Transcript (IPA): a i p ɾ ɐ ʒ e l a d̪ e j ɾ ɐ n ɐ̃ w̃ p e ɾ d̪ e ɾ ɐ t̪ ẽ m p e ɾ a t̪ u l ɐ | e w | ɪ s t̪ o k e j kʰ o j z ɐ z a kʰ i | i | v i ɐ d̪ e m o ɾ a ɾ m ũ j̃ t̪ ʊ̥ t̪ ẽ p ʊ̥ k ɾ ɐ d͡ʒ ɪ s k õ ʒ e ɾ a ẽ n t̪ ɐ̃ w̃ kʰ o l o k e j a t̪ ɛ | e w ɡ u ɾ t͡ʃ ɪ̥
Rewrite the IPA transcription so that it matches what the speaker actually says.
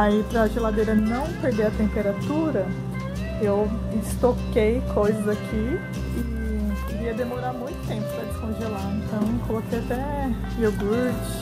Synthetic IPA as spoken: a i p ɾ ɐ ʒ e l a d̪ e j ɾ ɐ n ɐ̃ w̃ p e ɾ d̪ e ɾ ɐ t̪ ẽ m p e ɾ a t̪ u ɾ ɐ | e w | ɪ s t̪ o k e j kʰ o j z ɐ z a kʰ i | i | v i ɐ d̪ e m o ɾ a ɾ m ũ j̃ t̪ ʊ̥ t̪ ẽ p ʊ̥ p ɾ ɐ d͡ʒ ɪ s k õ ʒ e l a ẽ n t̪ ɐ̃ w̃ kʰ o l o k e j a t̪ ɛ | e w ɡ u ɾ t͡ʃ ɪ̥